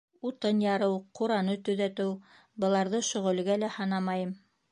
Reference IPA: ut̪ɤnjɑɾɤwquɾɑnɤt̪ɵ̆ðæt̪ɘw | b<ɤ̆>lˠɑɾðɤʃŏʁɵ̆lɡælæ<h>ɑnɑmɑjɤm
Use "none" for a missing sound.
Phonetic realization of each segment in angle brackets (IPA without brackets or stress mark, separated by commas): ɤ̆, h